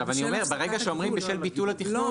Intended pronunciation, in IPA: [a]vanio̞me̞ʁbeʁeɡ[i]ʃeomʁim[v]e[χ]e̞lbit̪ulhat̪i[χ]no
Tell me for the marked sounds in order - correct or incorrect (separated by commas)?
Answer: correct, incorrect, incorrect, incorrect, correct